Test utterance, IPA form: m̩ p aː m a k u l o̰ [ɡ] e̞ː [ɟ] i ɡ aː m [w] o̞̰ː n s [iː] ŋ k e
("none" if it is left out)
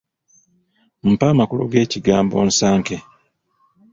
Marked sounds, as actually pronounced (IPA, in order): ɡ, c, b, aː

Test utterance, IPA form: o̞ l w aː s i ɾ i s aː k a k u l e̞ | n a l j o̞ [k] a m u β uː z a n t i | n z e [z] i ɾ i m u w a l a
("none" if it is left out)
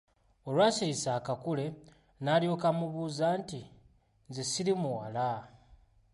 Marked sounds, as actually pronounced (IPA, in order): k, s

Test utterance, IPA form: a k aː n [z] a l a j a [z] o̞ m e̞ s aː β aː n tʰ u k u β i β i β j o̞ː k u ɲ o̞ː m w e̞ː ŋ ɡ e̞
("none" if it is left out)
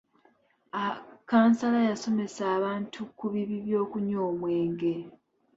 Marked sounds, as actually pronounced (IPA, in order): s, s

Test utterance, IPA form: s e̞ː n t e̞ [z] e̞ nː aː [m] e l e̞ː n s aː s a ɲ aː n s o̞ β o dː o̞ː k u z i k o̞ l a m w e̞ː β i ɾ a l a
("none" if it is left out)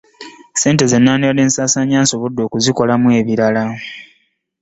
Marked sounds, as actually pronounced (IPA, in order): z, n

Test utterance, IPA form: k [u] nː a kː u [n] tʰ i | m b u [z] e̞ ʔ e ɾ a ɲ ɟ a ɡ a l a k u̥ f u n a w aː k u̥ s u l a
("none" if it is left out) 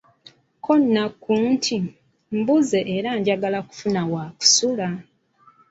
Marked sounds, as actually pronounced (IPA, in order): o, n, z

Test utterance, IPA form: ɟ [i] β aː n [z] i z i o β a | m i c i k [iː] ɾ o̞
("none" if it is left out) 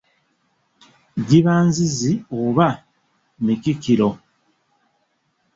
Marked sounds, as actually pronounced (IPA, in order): i, z, i

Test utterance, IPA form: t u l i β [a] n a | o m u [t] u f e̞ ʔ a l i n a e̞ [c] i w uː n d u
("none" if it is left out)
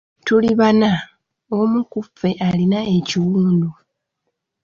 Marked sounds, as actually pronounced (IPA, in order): a, k, c

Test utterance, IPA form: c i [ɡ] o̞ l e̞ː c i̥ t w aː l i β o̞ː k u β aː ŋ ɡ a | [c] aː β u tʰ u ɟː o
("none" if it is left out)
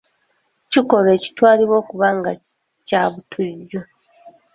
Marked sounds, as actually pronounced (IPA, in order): k, c

